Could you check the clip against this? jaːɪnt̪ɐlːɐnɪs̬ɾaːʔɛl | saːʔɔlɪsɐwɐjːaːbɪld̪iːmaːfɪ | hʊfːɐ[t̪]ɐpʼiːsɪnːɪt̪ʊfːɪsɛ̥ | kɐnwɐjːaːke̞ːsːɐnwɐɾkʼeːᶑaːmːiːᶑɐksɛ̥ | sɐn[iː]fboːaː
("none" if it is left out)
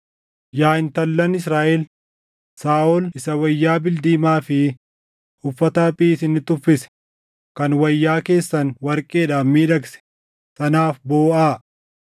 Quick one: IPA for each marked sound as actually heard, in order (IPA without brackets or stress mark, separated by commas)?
t̪, aː